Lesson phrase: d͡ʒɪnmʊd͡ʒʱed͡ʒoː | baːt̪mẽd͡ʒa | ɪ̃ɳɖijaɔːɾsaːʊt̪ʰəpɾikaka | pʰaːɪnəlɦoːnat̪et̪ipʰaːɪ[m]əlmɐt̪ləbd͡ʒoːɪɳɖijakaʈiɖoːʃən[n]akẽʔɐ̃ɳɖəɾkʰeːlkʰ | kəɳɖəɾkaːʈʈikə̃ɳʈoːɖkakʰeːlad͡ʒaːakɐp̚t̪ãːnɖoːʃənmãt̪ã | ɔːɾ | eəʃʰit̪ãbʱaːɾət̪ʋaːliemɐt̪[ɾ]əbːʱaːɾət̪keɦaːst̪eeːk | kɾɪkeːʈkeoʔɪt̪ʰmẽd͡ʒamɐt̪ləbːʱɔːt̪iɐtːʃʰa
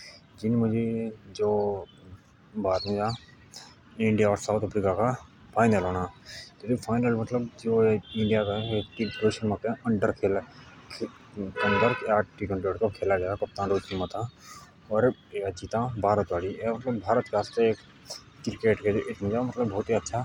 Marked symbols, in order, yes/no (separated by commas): no, no, no